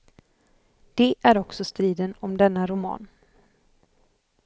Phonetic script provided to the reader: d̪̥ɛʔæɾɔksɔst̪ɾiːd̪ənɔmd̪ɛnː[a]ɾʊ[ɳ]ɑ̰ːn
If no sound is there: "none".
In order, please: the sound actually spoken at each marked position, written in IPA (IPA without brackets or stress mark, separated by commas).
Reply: a, m